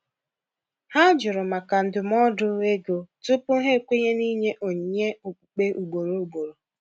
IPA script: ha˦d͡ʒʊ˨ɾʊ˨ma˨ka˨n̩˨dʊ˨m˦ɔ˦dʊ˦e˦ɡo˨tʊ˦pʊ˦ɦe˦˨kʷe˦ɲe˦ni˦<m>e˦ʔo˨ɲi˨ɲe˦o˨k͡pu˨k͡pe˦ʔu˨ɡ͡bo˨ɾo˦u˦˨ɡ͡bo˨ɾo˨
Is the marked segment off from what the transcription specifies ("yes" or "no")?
yes